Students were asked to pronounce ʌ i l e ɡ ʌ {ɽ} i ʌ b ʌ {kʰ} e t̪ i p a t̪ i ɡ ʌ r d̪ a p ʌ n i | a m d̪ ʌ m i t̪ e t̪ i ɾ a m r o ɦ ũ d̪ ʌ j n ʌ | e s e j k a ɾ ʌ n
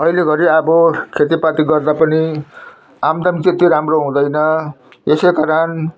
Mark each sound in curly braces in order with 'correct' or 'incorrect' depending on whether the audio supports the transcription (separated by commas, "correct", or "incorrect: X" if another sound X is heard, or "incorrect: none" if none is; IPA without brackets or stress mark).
incorrect: ɾ, correct